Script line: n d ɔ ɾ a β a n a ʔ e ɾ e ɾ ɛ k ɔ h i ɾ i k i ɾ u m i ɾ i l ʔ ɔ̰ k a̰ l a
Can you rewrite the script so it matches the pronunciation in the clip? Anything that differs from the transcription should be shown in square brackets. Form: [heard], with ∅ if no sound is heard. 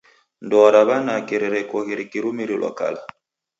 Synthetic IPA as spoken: n d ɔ ɾ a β a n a [k] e ɾ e ɾ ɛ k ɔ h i ɾ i k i ɾ u m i ɾ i l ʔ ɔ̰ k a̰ l a